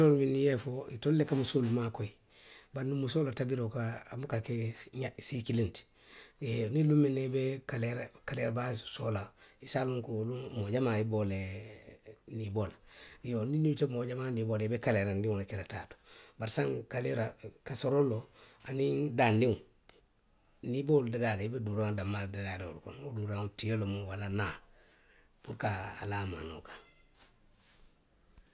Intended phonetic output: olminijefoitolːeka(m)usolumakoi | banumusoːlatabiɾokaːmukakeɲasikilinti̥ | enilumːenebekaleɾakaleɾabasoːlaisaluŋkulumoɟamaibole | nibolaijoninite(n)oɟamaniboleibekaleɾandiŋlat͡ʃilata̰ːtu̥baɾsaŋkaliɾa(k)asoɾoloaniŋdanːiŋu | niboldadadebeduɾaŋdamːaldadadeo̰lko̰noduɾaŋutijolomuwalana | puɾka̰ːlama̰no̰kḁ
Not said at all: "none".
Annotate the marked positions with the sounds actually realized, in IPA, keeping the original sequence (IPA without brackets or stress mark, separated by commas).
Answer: m, m, k